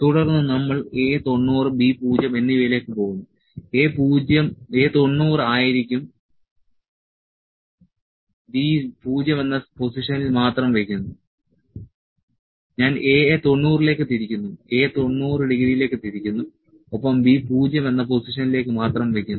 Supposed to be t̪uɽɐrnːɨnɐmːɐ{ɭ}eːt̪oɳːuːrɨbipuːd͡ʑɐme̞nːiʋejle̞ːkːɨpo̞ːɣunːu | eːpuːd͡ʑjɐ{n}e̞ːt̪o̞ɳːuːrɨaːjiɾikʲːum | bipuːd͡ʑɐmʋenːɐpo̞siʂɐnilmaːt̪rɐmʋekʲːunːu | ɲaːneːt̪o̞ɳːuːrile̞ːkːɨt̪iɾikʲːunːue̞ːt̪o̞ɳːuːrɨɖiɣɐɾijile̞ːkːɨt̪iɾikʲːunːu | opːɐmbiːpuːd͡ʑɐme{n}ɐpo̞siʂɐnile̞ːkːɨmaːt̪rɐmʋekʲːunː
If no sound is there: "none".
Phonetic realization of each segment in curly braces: ɭ, m, nː

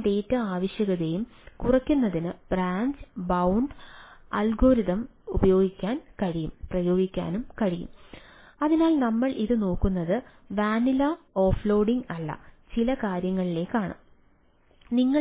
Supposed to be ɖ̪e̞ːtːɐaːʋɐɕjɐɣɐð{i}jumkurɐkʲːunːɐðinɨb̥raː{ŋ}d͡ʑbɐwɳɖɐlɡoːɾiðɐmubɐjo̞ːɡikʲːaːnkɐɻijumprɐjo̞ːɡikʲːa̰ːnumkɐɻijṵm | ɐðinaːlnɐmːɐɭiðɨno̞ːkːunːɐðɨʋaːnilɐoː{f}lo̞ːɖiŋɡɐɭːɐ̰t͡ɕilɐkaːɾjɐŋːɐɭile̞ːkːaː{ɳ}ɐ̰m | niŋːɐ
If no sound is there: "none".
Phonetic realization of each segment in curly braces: e, ɲ, f, ɳ

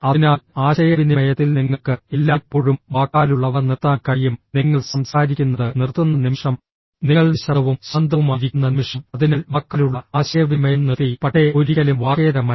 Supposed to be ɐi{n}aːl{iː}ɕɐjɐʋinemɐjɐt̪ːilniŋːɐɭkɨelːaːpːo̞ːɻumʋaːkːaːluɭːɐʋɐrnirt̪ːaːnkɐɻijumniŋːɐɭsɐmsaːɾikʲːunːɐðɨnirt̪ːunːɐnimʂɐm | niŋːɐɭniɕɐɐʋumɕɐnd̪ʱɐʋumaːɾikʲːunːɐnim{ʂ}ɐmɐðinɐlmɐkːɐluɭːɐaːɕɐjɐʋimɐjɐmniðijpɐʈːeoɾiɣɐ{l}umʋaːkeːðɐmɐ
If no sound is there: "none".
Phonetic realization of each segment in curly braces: n, aː, ʂ, l

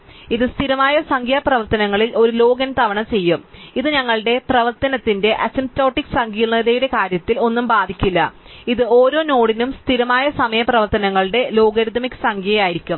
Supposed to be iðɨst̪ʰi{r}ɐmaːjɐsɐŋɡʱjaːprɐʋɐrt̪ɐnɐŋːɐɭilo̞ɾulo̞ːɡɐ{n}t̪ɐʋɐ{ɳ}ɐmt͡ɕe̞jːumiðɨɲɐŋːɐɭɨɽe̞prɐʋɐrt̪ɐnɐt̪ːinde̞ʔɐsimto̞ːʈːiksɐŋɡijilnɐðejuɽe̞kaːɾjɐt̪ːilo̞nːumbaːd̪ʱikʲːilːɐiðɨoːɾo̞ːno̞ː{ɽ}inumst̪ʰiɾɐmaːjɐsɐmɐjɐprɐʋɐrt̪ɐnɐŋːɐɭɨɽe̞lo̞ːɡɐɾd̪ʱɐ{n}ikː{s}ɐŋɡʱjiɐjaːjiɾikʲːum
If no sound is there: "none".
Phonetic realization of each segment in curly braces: ɾ, n, ɳ, ɽ, m, s

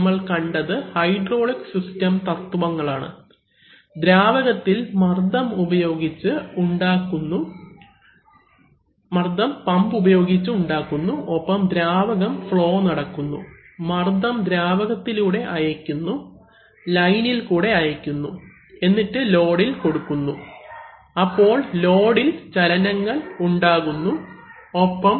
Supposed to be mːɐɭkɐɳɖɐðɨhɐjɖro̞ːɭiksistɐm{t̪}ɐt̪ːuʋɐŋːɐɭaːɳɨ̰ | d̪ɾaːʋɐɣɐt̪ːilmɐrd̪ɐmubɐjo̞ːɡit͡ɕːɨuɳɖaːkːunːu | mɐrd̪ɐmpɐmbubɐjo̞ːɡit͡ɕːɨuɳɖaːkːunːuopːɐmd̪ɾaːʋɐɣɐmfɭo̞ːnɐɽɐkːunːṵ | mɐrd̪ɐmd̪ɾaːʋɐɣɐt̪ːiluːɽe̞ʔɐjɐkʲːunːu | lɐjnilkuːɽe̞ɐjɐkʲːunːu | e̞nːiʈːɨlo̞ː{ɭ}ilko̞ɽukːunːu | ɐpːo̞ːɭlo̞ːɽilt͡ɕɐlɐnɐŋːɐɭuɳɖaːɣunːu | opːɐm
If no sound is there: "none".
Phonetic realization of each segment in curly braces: t̪, ɽ

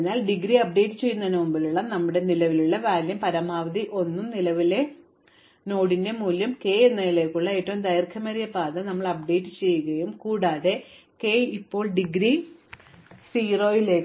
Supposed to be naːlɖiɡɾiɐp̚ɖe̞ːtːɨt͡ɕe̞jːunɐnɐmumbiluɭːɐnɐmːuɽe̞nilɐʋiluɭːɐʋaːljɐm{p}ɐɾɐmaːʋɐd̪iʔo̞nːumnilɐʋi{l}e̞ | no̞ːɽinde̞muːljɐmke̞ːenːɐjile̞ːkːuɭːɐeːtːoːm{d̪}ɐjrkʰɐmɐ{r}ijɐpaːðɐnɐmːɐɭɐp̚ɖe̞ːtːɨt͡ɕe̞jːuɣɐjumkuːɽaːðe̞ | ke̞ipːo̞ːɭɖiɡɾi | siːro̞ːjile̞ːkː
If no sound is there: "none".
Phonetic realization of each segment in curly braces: p, l, d̪, ɾ

